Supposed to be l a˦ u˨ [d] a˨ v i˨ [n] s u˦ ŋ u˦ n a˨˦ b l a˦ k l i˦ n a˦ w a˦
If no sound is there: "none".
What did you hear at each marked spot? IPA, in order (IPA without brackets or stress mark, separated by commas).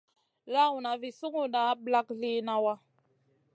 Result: n, none